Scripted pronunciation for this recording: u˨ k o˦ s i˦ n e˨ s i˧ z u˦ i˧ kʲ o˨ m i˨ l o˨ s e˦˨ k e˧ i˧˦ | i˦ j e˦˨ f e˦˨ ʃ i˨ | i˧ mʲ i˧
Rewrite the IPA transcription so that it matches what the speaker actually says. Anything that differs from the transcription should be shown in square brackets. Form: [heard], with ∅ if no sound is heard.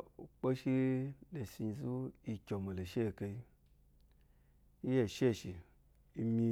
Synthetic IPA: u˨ [k͡p] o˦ [ʃ] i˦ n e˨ s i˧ z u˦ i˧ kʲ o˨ m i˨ l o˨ [ʃ] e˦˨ k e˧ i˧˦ | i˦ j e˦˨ [ʃ] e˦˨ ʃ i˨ | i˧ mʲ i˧

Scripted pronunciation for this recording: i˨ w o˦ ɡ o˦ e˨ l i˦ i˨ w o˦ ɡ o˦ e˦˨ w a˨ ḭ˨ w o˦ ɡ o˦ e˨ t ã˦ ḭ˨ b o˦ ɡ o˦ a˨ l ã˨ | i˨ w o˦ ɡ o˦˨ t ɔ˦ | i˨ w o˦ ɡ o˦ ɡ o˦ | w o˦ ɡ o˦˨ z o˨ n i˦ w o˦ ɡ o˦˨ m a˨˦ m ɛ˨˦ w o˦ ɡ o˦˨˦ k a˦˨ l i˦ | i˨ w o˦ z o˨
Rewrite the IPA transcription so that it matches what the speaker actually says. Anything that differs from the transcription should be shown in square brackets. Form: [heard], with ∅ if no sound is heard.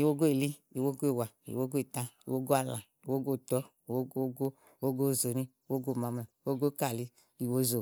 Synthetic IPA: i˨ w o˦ ɡ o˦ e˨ l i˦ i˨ w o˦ ɡ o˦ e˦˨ w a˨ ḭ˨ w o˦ ɡ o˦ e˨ t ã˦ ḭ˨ [w] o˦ ɡ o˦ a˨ l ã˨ | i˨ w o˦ ɡ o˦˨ t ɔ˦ | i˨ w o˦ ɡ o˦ ɡ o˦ | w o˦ ɡ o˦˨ z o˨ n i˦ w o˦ ɡ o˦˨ m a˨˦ m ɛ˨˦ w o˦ ɡ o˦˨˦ k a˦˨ l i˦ | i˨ w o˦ z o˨

